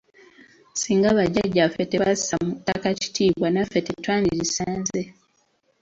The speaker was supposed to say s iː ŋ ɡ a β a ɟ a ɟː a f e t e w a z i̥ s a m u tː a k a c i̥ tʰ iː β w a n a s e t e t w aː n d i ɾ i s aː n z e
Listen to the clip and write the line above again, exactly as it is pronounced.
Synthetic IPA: s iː ŋ ɡ a β a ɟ a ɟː a f e t e β a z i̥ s a m u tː a k a c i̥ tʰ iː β w a n a f e t e t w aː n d i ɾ i s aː n z e

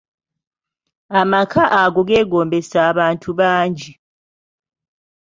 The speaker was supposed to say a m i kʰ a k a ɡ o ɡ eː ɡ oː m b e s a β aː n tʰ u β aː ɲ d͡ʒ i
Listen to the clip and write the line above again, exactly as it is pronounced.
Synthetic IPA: a m a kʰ a ʔ a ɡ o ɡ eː ɡ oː m b e s a β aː n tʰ u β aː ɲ d͡ʒ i

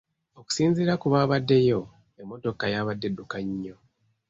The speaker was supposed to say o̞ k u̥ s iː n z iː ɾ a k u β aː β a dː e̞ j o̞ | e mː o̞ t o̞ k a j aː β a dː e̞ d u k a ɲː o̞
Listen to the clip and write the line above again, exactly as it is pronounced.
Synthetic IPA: o̞ k u̥ s iː n z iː ɾ a k u β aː β a dː e̞ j o̞ | e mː o̞ t o̞ k a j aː β a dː e̞ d u k a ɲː o̞

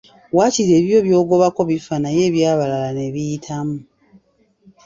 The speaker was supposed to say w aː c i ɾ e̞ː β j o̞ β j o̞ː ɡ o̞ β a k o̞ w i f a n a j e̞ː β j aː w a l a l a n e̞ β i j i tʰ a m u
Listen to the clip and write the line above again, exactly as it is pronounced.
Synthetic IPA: w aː c i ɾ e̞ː β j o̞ β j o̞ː ɡ o̞ β a k o̞ β i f a n a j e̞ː β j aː β a l a l a n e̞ β i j i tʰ a m u

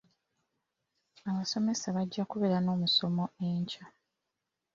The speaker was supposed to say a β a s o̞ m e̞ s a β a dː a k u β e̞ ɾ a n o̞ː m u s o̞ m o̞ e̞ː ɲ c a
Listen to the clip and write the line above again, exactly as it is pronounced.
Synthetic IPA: a β a s o̞ m e̞ s a β a ɟː a k u β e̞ ɾ a n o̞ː m u s o̞ m o̞ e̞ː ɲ c a

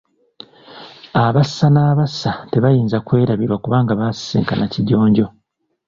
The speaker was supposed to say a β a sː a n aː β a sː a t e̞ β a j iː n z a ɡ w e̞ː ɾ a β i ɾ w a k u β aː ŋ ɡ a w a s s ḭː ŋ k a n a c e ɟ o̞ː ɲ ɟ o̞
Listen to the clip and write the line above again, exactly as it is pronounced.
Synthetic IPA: a β a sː a n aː β a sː a t e̞ β a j iː n z a k w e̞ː ɾ a β i ɾ w a k u β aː ŋ ɡ a β a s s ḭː ŋ k a n a c i ɟ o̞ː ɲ ɟ o̞

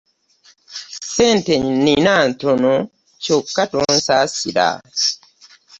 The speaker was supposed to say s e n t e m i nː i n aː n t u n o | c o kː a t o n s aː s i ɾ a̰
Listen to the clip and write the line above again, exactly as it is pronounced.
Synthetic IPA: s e n t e ɲ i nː i n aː n t o n o | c o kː a t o n s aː s i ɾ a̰

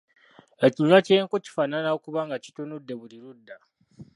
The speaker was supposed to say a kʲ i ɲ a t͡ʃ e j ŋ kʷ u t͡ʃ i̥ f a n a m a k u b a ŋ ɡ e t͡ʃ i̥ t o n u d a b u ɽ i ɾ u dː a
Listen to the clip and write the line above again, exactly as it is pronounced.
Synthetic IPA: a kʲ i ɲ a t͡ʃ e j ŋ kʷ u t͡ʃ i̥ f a n a n a k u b a ŋ ɡ a t͡ʃ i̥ t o n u d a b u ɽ i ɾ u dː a

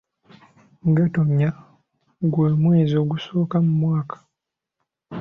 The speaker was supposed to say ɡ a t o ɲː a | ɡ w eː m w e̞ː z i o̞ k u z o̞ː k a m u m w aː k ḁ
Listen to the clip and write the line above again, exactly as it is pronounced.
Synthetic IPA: ɡ a t o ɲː a | ɡ w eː m w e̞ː z i o̞ ɡ u s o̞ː k a m u m w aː k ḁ

